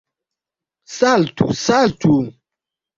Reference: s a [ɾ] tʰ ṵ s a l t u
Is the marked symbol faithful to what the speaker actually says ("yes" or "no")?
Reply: no